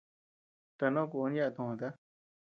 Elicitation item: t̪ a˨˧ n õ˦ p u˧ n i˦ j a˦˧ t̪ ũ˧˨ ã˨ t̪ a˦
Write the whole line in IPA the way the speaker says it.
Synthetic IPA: t̪ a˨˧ n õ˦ k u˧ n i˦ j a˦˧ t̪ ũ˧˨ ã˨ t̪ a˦